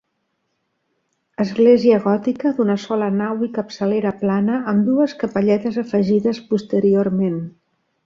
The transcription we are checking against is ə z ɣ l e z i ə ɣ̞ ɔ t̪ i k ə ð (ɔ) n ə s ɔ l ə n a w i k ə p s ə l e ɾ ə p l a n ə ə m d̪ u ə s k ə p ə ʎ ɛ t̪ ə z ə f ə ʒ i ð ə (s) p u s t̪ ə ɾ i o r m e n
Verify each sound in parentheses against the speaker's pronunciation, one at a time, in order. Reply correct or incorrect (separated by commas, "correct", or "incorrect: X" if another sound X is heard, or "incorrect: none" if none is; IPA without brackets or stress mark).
incorrect: u, correct